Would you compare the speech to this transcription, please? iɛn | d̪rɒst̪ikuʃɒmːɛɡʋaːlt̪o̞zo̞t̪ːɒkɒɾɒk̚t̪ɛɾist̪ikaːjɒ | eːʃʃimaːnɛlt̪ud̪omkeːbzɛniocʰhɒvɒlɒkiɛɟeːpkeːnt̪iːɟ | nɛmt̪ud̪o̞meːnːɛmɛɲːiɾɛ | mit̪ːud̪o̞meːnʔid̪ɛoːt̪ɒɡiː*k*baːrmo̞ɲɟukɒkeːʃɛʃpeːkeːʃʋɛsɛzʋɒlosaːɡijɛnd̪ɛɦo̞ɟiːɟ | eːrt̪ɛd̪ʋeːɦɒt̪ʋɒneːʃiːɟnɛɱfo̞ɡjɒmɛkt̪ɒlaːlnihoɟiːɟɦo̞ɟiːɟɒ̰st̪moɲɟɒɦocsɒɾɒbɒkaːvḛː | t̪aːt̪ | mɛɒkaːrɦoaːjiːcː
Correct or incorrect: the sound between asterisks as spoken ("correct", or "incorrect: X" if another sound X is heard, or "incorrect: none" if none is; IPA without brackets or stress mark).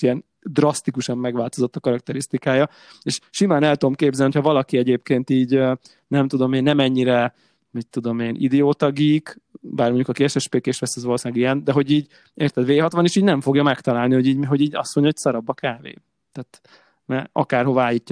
correct